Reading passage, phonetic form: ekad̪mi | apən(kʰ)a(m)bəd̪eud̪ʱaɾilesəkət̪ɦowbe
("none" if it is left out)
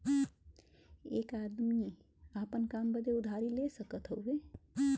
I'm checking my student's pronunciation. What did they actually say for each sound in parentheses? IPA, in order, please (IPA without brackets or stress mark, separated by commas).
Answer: k, m